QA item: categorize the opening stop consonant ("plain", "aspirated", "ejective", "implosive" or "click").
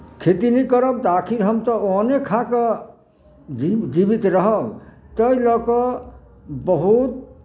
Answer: aspirated